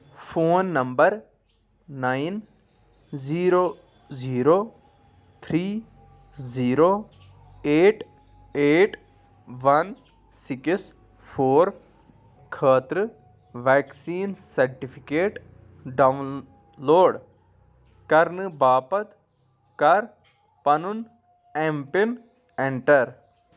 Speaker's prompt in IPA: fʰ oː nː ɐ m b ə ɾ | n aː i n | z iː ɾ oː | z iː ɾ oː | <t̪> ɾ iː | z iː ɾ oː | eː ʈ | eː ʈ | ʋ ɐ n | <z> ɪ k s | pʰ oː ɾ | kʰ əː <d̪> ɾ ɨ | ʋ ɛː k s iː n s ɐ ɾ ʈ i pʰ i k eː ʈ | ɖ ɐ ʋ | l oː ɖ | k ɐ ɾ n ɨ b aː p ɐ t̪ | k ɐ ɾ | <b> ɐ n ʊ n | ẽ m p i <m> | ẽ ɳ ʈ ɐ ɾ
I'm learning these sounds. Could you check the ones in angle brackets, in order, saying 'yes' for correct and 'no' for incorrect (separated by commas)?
no, no, no, no, no